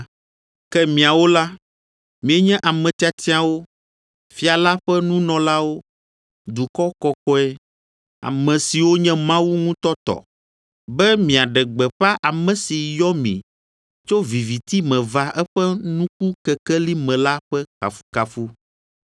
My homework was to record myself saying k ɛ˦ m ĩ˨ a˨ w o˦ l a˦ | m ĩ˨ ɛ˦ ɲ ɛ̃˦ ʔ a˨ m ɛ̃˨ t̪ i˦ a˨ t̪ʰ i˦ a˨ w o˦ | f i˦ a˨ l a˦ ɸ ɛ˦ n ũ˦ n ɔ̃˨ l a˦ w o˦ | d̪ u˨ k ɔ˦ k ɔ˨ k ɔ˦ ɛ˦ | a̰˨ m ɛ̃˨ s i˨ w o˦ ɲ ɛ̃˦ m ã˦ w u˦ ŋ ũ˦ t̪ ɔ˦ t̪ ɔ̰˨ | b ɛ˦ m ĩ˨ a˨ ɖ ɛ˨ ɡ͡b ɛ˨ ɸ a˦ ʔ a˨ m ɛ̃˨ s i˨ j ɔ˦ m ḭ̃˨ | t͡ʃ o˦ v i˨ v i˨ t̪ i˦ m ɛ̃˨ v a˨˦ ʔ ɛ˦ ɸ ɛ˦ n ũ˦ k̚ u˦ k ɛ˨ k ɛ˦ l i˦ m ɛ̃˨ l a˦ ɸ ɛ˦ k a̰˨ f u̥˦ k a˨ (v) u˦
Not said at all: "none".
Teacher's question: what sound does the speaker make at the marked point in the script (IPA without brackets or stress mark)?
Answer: f